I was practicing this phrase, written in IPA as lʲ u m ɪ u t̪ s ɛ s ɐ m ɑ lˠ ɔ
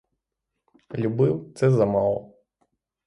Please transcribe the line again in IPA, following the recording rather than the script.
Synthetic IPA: lʲ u b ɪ w t̪ s ɛ z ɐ m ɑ lˠ ɔ

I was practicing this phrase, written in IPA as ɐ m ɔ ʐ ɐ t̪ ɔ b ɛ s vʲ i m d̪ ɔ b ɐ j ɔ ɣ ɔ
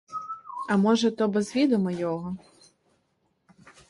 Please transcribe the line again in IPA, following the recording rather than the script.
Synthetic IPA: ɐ m ɔ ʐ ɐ t̪ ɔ b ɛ z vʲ i d̪ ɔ m ɐ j ɔ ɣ ɔ

